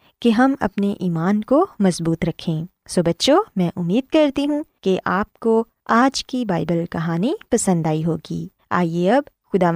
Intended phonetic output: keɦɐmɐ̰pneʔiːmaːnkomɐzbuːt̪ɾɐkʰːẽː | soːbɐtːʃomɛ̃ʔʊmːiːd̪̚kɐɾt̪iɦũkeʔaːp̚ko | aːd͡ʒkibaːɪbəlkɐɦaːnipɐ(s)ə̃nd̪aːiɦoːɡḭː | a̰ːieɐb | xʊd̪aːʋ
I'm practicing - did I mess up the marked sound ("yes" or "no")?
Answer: no